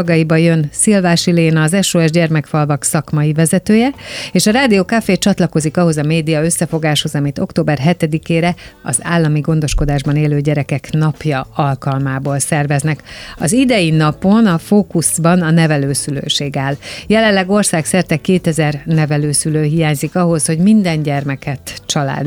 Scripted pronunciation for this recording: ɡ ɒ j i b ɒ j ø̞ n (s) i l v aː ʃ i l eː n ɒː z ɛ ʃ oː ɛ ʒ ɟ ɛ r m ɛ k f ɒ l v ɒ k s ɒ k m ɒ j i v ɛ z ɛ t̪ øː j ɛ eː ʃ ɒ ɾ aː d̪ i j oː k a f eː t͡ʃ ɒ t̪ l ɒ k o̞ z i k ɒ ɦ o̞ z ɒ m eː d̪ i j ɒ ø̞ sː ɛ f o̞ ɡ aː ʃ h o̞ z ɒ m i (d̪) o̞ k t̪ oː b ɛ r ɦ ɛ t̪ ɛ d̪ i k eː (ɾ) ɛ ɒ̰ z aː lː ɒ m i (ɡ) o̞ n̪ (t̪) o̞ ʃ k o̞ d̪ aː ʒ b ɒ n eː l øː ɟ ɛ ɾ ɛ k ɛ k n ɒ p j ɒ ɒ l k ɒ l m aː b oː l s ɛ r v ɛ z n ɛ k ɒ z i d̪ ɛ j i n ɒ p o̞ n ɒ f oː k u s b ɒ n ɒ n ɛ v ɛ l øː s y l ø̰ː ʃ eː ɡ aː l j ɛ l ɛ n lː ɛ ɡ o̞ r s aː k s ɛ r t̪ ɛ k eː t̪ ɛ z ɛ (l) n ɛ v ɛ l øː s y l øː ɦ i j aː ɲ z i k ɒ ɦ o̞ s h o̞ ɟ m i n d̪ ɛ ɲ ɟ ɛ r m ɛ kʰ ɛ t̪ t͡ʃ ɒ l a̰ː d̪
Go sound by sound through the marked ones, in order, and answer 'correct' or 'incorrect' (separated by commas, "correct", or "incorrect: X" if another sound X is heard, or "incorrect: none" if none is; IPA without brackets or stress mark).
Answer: correct, incorrect: t̪, correct, correct, incorrect: d̪, incorrect: r